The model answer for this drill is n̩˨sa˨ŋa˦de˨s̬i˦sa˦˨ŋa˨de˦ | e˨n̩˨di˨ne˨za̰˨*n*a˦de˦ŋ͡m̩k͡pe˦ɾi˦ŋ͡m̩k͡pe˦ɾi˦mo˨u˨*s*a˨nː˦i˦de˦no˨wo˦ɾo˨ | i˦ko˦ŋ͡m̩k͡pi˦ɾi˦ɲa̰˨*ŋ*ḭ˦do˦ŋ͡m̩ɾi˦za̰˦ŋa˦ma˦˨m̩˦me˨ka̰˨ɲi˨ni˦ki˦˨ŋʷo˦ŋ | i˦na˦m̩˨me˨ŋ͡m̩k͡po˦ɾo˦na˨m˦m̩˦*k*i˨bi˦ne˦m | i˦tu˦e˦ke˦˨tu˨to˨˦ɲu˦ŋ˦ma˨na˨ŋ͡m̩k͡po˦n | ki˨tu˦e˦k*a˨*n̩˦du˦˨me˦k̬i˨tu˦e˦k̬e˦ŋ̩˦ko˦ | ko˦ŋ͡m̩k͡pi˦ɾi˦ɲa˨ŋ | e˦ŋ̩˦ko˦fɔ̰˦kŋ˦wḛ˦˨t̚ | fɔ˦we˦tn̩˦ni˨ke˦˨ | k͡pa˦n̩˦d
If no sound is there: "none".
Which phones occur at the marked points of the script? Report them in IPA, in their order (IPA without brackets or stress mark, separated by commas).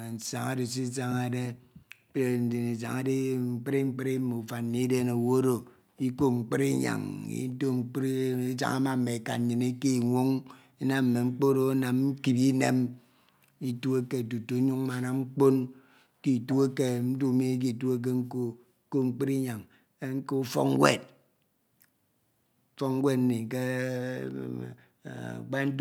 ŋ, f, ŋ, k, e˨